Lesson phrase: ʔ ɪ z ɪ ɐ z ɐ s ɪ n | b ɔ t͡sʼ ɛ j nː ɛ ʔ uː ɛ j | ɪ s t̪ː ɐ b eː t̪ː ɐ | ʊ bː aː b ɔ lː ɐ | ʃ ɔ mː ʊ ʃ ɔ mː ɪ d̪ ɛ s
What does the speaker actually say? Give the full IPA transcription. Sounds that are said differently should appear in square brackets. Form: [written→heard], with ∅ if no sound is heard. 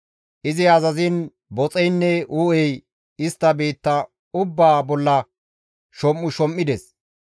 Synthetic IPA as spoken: ʔ ɪ z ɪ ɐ z ɐ [s→z] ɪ n | b ɔ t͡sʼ ɛ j nː ɛ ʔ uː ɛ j | ɪ s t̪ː ɐ b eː t̪ː ɐ | ʊ bː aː b ɔ lː ɐ | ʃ ɔ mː ʊ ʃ ɔ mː ɪ d̪ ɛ s